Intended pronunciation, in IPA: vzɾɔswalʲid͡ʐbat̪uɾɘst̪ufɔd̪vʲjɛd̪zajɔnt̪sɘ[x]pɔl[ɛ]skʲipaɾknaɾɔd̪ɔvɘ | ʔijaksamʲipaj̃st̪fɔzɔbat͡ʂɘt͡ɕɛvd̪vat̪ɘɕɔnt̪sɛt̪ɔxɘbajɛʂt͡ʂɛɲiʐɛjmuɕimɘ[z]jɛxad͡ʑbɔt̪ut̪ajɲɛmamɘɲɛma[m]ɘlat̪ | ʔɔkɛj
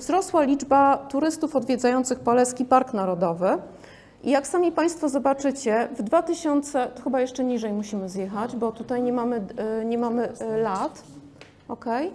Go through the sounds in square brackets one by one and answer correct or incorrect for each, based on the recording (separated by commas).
correct, correct, correct, correct